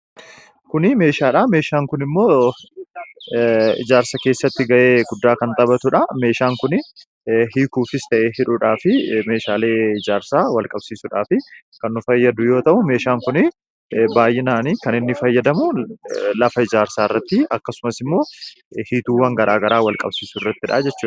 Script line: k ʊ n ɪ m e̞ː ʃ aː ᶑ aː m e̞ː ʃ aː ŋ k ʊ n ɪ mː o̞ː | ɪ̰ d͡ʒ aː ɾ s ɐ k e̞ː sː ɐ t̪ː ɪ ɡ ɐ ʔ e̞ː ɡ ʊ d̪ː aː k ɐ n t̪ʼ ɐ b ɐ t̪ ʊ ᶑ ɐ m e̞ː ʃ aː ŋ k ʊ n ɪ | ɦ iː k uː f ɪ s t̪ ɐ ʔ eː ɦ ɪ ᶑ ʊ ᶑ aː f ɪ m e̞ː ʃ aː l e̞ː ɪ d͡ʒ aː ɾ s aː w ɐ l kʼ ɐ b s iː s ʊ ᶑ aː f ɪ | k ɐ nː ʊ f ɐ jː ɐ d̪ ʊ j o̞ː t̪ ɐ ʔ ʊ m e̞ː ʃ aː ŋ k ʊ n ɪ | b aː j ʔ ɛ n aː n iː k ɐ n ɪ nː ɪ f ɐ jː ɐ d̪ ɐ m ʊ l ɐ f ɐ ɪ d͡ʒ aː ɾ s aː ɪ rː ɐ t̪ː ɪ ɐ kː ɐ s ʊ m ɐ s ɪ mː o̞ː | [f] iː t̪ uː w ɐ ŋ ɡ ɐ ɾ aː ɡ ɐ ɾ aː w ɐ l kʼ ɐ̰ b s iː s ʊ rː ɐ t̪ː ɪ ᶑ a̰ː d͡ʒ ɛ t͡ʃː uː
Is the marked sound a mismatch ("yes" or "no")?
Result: yes